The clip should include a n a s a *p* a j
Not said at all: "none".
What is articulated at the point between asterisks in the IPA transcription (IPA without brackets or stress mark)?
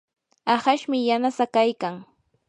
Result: k